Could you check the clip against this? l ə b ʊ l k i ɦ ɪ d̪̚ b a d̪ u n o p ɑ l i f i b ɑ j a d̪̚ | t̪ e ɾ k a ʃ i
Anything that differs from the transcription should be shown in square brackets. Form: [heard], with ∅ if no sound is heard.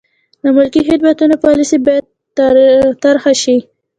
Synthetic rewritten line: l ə [m] ʊ l k i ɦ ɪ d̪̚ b a [t̪] u n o p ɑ l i [s] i b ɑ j a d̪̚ | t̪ [a] ɾ [x] a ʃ i